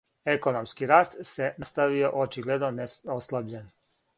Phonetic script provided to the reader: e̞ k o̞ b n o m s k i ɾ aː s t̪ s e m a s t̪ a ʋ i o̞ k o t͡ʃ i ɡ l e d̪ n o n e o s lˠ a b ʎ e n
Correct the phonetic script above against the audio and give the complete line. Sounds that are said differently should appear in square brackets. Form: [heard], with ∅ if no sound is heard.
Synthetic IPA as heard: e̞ k o̞ [∅] n o m s k i ɾ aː s t̪ s e [n] a s t̪ a ʋ i o̞ [ʔ] o t͡ʃ i ɡ l e d̪ n o n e o s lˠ a b ʎ e n